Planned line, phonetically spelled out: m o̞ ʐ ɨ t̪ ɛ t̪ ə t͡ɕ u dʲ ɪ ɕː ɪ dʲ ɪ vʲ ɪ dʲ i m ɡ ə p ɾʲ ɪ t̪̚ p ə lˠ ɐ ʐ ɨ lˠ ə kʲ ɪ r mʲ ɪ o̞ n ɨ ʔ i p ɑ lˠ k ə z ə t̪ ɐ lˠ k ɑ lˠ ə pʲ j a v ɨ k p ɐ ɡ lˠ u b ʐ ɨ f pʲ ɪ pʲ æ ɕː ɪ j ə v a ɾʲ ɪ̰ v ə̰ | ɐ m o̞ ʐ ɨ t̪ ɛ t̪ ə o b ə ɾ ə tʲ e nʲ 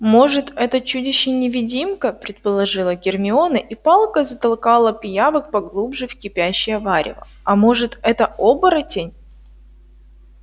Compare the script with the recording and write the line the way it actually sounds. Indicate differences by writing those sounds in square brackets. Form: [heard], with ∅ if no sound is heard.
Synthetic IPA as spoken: m o̞ ʐ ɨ t̪ ɛ t̪ ə t͡ɕ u dʲ ɪ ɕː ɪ [nʲ] ɪ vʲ ɪ dʲ i m [k] ə p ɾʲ ɪ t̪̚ p ə lˠ ɐ ʐ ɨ lˠ ə [ɡʲ] ɪ r mʲ ɪ o̞ n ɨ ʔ i p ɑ lˠ k ə z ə t̪ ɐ lˠ k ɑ lˠ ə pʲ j a v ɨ k p ɐ ɡ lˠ u b ʐ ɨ f [kʲ] ɪ pʲ æ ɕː ɪ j ə v a ɾʲ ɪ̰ v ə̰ | ɐ m o̞ ʐ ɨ t̪ ɛ t̪ ə o b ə ɾ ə tʲ e nʲ